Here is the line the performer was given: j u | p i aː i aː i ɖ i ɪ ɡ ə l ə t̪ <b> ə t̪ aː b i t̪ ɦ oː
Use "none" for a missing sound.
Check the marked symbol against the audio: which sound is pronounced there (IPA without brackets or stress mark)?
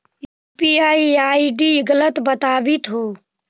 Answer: b